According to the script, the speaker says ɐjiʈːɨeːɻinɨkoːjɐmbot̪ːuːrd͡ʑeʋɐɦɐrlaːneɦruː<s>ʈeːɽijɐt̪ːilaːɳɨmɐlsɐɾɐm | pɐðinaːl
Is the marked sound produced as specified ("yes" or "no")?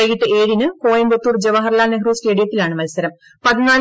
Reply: yes